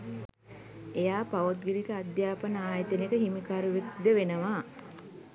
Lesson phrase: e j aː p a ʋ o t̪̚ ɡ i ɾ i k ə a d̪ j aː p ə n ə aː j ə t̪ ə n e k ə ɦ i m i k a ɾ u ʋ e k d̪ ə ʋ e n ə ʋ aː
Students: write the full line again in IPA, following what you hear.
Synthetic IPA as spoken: e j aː p a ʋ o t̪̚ ɡ i ɾ i k ə a d̪ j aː p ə n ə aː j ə t̪ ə n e k ə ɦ i m i k a ɾ u ʋ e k d̪ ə ʋ e n ə ʋ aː